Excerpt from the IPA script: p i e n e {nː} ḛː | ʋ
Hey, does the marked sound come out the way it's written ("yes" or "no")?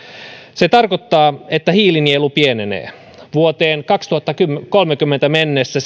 no